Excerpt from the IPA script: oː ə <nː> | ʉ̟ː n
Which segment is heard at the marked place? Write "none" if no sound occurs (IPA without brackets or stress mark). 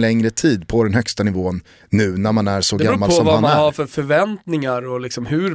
nː